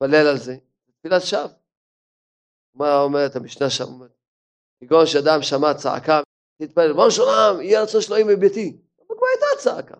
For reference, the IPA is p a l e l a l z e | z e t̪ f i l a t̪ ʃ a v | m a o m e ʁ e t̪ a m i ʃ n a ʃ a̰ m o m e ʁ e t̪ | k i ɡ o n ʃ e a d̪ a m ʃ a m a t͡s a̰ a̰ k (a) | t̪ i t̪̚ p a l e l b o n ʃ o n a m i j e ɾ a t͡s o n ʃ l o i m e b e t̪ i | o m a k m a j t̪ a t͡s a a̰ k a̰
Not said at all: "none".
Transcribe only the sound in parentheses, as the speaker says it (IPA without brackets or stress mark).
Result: a